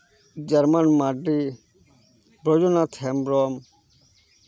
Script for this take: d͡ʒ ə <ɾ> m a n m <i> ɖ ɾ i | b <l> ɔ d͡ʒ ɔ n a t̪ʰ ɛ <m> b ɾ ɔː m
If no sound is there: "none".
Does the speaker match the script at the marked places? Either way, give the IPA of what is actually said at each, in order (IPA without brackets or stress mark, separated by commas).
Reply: ɾ, a, ɾ, m